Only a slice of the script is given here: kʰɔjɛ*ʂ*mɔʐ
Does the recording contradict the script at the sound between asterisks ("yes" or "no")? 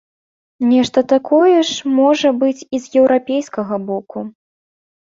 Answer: no